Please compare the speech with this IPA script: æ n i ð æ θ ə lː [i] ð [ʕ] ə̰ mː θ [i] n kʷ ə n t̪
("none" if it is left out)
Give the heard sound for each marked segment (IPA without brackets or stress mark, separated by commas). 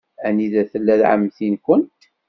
æ, ʕ, i